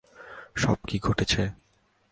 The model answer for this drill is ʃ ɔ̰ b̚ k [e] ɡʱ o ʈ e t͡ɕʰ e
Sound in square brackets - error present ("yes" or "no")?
yes